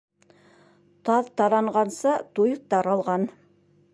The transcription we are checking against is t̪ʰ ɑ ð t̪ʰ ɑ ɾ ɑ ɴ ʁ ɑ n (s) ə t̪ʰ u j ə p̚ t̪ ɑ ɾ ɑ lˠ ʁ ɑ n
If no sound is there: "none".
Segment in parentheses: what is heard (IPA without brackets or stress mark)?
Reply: s